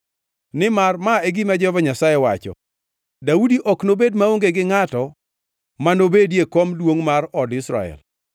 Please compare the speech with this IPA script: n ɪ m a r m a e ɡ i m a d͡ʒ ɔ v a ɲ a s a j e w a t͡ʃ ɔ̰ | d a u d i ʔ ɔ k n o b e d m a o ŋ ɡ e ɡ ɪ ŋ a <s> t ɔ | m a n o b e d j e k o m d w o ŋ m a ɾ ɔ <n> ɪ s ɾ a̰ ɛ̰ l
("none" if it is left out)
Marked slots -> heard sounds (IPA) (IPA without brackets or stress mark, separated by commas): none, d